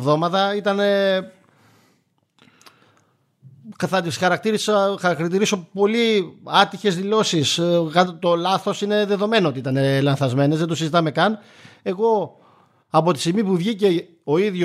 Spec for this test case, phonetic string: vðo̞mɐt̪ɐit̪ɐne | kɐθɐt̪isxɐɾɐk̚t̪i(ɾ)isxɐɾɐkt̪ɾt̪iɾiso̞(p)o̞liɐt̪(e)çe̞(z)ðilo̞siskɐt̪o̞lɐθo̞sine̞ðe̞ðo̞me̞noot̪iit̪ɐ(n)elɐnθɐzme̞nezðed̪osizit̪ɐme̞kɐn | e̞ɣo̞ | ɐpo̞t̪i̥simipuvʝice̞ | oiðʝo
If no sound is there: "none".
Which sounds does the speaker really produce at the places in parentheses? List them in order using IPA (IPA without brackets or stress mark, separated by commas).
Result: ɾ, p, i, z, n